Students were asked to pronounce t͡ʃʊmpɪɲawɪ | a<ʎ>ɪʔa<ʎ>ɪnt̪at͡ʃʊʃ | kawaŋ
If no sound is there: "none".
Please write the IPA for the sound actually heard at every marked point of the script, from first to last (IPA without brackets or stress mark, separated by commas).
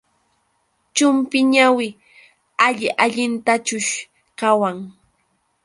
ʎ, ʎ